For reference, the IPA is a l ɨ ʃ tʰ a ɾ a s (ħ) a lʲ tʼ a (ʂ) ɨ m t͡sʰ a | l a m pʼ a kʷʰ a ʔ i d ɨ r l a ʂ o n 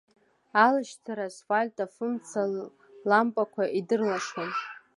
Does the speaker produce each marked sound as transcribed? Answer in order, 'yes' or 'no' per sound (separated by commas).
no, no